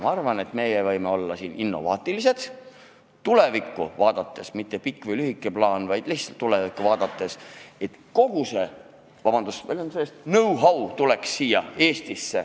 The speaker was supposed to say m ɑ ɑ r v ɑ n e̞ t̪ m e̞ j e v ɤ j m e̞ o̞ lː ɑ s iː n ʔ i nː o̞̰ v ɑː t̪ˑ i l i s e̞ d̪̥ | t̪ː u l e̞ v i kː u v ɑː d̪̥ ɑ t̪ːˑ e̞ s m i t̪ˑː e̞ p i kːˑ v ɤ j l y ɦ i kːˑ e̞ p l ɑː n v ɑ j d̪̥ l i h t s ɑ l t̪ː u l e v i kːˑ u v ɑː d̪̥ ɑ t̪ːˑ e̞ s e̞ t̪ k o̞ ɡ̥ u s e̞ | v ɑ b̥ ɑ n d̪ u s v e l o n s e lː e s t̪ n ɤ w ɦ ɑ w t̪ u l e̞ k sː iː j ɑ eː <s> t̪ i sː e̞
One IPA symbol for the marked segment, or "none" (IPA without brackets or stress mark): s